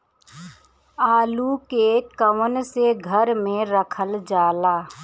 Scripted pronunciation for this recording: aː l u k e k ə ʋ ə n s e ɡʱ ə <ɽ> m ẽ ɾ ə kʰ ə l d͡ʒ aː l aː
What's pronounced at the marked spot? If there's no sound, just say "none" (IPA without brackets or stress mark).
ɾ